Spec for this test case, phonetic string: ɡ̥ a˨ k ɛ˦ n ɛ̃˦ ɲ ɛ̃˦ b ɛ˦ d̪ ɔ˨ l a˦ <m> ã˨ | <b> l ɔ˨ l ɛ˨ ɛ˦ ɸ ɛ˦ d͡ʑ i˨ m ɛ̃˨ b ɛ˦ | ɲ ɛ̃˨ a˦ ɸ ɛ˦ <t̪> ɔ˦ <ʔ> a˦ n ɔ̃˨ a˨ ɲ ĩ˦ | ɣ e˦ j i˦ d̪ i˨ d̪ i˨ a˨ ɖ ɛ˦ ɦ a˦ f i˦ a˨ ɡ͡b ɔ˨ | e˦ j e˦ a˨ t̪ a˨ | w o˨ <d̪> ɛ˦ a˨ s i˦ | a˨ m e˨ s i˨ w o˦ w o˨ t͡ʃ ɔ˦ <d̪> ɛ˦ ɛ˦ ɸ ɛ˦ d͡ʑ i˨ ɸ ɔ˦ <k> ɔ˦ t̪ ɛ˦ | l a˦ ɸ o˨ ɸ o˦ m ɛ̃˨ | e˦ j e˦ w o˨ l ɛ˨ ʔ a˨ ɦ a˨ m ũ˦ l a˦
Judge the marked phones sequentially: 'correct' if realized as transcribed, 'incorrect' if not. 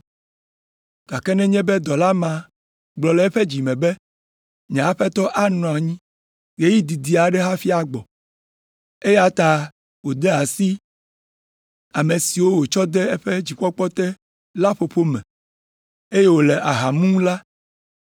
correct, incorrect, correct, correct, correct, correct, incorrect

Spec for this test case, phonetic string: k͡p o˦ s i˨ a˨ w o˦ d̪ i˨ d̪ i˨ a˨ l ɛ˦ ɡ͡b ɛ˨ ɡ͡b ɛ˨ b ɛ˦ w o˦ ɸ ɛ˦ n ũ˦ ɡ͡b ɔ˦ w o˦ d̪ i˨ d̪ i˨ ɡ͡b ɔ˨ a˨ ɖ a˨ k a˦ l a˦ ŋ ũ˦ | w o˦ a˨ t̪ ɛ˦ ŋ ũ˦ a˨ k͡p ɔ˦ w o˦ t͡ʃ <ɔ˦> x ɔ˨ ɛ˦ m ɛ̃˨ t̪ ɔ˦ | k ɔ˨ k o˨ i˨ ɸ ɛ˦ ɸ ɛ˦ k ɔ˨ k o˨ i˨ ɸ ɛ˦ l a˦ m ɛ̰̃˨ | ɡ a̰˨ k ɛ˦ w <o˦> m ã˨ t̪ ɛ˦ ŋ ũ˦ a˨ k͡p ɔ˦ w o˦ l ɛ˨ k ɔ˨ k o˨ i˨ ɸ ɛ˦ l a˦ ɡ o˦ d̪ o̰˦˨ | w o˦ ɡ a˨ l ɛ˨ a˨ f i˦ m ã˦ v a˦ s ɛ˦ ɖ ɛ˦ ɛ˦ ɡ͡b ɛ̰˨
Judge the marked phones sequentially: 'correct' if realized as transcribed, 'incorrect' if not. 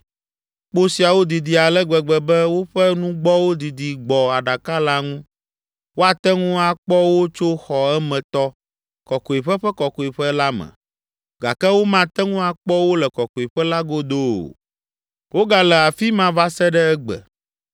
incorrect, correct

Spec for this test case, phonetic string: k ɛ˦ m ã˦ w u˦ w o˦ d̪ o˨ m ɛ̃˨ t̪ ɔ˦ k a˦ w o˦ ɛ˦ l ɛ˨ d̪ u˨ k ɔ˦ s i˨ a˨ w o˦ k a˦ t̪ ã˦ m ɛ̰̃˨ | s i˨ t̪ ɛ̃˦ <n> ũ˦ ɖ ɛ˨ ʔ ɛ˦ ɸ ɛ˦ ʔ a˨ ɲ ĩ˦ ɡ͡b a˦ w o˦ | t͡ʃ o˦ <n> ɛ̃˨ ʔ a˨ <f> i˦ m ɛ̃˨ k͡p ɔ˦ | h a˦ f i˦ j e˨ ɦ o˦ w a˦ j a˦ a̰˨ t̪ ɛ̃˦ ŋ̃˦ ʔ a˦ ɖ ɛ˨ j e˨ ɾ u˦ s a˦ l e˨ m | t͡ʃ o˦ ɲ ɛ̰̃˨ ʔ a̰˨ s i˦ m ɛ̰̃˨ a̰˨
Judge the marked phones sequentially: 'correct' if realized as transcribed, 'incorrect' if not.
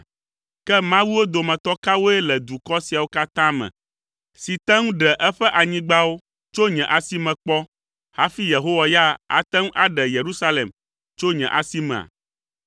incorrect, incorrect, incorrect

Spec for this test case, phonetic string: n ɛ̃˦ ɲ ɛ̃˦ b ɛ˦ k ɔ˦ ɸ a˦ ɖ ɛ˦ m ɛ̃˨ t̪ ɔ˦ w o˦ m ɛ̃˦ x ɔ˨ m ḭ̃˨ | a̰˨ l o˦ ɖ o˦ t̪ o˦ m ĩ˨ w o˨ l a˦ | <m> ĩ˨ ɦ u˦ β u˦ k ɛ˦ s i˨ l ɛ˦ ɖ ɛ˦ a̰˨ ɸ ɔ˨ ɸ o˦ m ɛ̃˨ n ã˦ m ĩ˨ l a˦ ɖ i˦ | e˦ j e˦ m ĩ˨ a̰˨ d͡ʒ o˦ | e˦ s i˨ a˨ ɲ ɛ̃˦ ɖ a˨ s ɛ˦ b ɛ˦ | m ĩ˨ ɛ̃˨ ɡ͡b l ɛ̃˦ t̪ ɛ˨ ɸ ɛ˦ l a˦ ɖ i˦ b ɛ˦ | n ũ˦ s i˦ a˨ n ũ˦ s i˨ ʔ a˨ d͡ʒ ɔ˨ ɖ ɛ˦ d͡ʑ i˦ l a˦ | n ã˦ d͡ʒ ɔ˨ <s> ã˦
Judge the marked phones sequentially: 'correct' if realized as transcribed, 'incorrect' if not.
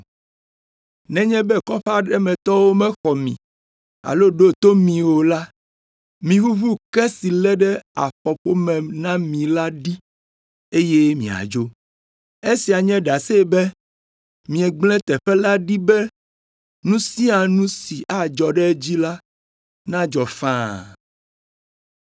correct, incorrect

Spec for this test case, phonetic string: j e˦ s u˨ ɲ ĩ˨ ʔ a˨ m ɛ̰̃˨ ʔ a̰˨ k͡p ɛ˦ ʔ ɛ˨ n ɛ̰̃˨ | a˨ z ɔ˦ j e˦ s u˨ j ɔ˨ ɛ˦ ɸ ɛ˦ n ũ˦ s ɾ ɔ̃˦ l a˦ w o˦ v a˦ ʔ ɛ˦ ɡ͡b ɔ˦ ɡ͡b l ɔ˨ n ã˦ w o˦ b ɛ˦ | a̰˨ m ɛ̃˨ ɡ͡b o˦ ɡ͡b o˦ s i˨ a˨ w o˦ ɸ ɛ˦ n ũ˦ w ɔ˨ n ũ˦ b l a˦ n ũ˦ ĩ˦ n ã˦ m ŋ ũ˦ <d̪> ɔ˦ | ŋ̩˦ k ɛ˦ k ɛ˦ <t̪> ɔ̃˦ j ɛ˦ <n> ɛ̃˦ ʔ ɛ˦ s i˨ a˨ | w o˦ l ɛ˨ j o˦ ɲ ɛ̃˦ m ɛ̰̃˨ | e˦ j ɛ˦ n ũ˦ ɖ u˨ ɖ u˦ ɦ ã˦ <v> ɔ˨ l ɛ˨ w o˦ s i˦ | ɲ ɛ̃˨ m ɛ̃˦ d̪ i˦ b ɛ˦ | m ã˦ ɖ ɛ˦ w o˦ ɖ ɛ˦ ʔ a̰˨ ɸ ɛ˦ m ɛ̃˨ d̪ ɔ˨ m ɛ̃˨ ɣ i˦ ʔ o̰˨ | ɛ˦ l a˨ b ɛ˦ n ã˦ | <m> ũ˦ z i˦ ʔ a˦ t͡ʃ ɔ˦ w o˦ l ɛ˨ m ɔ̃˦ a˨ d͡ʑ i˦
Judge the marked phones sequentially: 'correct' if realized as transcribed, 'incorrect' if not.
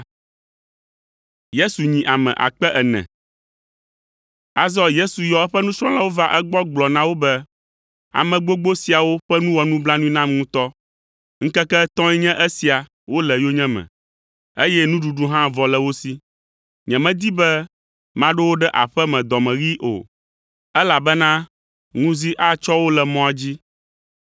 incorrect, correct, incorrect, correct, incorrect

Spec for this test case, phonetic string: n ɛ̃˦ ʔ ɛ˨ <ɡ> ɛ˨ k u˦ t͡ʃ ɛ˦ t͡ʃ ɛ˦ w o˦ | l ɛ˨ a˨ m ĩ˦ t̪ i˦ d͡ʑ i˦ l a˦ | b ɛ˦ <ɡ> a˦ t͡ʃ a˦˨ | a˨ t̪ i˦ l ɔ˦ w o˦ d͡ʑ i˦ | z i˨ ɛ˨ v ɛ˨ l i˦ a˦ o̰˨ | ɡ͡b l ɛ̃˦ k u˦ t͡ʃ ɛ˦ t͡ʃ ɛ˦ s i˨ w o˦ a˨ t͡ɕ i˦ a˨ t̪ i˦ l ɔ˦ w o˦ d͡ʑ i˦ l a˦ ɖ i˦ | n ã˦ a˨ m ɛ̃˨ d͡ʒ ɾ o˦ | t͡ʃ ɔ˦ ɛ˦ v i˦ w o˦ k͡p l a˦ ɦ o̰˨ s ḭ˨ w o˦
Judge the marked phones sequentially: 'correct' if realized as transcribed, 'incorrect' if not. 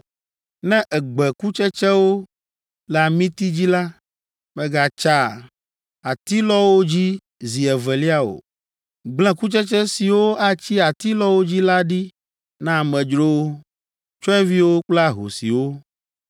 incorrect, correct

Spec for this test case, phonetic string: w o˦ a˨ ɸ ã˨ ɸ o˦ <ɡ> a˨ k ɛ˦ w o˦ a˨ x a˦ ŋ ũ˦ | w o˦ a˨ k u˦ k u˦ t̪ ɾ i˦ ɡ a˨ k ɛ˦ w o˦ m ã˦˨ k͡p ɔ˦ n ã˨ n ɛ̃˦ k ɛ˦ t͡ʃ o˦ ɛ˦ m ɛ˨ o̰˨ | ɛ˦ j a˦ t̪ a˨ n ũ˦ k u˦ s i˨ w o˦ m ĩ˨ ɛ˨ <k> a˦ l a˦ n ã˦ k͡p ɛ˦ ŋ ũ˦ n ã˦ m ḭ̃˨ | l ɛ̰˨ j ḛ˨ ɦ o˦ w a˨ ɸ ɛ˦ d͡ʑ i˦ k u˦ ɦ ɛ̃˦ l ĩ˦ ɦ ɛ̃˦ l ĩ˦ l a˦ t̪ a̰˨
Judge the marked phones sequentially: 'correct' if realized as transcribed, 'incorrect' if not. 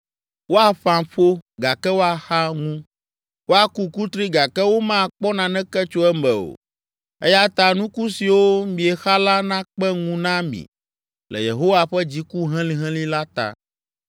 correct, incorrect

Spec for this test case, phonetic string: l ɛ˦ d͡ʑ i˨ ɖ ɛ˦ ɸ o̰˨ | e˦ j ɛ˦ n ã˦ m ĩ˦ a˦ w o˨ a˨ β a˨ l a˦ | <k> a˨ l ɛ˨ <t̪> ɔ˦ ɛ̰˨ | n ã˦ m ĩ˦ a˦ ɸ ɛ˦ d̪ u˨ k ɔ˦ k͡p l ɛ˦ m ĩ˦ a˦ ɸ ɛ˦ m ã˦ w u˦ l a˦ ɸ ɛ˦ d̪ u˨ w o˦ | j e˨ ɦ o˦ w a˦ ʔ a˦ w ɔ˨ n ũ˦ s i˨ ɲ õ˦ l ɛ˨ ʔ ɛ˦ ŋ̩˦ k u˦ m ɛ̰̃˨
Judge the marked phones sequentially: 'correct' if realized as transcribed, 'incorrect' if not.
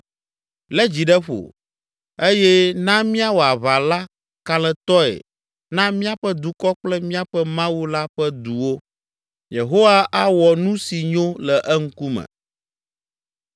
correct, correct

